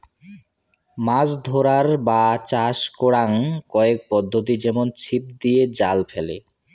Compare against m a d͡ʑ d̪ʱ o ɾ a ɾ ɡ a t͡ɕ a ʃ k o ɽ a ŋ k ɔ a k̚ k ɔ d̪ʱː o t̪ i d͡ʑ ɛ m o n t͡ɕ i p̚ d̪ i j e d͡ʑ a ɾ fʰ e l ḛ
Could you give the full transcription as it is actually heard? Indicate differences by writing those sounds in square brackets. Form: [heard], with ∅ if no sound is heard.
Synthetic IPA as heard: m a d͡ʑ d̪ʱ o ɾ a ɾ [b] a t͡ɕ a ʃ k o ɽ a ŋ k ɔ [e] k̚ [p] ɔ d̪ʱː o t̪ i d͡ʑ ɛ m o n [t͡ɕʰ] i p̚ d̪ i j e d͡ʑ a [l] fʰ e l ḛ